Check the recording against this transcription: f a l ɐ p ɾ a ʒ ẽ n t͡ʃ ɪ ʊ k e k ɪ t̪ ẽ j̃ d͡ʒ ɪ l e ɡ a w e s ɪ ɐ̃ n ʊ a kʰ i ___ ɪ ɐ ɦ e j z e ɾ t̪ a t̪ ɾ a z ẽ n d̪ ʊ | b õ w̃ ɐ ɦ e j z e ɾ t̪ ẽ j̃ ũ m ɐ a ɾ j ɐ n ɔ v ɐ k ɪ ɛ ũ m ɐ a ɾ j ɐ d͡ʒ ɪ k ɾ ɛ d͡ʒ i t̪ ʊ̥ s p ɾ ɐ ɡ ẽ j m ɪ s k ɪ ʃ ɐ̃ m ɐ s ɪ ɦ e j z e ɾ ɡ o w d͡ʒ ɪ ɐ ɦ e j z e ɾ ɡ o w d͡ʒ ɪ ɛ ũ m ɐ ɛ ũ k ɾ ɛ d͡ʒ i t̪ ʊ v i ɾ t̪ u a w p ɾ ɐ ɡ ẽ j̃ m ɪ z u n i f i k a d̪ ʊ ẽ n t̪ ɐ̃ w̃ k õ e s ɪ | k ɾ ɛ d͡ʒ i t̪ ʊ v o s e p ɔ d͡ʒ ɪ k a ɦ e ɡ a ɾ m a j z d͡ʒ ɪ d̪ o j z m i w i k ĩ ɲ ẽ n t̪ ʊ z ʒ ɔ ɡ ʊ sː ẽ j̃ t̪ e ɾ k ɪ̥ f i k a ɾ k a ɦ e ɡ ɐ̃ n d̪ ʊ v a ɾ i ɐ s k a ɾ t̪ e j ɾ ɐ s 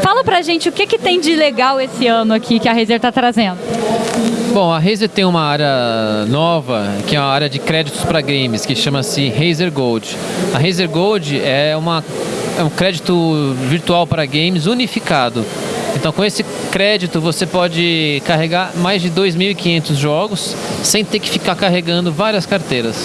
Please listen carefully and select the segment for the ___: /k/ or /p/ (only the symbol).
k